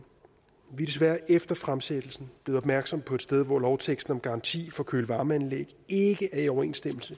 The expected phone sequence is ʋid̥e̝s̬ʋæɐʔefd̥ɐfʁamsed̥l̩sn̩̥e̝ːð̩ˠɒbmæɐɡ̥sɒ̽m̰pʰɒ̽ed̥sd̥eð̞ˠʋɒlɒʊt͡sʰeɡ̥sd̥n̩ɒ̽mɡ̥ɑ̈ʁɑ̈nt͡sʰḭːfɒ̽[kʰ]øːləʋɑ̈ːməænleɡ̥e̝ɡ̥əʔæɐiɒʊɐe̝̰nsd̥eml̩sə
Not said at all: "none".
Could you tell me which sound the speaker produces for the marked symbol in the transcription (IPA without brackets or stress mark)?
kʰ